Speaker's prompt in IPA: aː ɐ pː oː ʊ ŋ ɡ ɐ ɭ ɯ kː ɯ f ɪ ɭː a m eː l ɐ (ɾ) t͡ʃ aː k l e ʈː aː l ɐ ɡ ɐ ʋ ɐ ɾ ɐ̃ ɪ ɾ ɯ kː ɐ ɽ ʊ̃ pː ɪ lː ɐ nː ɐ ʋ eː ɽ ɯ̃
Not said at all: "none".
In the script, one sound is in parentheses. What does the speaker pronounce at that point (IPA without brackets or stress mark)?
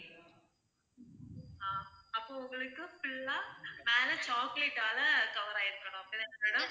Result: none